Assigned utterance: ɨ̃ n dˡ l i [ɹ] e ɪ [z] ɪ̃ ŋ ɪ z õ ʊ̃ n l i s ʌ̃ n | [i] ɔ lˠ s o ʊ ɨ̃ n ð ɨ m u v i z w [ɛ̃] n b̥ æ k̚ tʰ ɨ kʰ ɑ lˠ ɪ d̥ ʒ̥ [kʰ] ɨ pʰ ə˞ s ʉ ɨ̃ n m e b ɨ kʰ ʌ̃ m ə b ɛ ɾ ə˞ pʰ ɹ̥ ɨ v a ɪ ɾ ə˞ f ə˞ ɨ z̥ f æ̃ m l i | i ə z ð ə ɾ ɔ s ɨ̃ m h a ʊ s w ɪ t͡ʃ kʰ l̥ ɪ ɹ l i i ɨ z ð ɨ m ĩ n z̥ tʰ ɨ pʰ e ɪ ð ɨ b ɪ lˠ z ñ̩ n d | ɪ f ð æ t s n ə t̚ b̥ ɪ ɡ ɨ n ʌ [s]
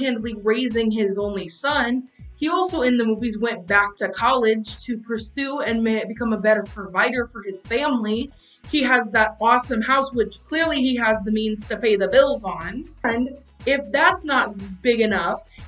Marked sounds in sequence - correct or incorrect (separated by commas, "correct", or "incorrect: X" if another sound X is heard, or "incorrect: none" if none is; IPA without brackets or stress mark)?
correct, correct, correct, correct, incorrect: tʰ, incorrect: f